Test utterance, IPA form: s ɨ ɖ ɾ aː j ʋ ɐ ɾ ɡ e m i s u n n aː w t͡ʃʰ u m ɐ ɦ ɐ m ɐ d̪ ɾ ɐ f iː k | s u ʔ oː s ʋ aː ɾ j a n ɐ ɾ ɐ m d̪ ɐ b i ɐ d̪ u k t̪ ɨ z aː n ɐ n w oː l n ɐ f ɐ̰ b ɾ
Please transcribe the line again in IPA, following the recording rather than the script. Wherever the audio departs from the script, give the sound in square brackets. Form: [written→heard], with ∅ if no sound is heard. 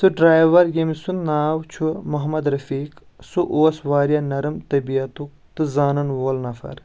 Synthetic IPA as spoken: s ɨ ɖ ɾ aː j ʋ ɐ ɾ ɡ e m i s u n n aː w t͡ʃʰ u m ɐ ɦ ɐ m ɐ d̪ ɾ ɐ f iː k | s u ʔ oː s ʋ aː ɾ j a n ɐ ɾ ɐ m [d̪→t̪] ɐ b i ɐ [d̪→t̪] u k t̪ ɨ z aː n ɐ n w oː l n ɐ f ɐ̰ [b→∅] ɾ